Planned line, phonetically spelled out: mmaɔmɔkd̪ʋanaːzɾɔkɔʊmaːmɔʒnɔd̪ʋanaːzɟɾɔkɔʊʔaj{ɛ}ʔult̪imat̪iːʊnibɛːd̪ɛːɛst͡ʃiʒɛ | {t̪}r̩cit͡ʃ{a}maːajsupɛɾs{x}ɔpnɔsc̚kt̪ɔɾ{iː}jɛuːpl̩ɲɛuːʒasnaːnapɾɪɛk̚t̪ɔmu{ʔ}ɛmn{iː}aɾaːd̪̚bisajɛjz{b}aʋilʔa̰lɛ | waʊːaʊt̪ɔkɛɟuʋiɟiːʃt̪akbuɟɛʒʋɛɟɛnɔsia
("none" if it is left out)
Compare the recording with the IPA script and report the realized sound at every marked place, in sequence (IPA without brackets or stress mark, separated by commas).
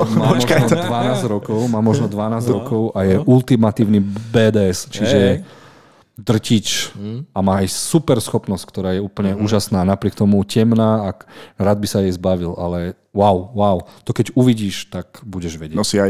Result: ɛ, d̪, a, x, aː, c, aː, b